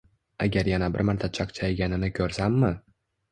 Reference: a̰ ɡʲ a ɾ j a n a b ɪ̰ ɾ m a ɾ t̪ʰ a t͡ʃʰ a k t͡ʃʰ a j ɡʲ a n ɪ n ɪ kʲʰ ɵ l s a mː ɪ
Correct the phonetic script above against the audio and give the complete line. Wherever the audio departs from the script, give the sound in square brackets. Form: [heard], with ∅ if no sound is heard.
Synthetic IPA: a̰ ɡʲ a ɾ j a n a b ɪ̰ ɾ m a ɾ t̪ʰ a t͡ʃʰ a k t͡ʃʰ a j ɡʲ a n ɪ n ɪ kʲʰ ɵ [ɾ] s a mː ɪ